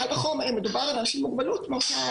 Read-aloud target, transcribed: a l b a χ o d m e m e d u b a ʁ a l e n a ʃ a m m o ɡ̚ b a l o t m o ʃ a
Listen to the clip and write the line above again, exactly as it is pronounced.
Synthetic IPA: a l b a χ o m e m e d u b a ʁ a l a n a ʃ i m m u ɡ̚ b a l u t m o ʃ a